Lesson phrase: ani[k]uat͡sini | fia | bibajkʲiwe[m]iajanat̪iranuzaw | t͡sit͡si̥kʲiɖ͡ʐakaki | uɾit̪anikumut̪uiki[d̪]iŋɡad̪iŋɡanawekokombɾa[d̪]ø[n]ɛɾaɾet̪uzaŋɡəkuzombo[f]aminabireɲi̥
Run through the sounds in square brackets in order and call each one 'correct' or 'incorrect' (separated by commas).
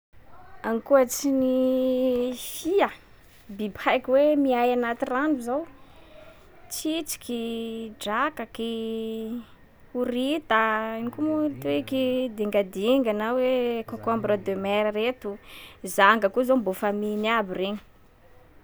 correct, correct, correct, correct, incorrect, correct